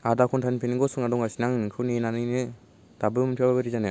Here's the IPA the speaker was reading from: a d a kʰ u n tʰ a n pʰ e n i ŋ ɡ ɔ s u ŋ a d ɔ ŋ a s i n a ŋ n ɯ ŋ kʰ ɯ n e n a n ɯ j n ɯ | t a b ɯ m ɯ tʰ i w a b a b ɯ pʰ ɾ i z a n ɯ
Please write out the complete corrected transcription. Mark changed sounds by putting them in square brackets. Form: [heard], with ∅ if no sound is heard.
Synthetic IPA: a d a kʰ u n tʰ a n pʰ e n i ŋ ɡ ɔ s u ŋ a d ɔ ŋ a s i n a ŋ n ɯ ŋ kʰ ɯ n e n a n ɯ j n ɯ | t a b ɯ m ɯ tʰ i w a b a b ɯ [∅] ɾ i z a n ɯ